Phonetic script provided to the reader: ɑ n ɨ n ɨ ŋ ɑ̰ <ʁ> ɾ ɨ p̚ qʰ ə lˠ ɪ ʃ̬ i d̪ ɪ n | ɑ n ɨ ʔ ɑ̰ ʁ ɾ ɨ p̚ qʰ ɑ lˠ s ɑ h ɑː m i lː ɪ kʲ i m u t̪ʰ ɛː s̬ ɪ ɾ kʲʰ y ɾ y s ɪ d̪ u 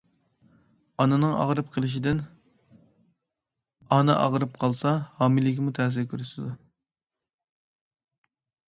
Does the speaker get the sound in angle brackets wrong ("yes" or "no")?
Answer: no